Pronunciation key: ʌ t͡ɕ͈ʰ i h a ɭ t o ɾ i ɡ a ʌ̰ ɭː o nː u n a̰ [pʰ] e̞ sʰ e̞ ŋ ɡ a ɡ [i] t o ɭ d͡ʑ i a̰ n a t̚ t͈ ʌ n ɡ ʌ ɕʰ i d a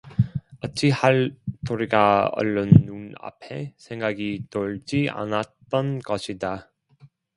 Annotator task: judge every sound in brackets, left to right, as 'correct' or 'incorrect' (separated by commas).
correct, correct